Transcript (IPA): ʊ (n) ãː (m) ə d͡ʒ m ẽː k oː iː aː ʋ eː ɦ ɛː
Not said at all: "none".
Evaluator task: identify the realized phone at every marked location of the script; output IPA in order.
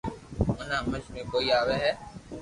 n, m

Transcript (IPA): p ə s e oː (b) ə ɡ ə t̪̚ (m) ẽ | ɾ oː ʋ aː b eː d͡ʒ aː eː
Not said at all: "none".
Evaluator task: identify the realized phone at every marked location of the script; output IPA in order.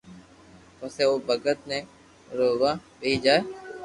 b, n

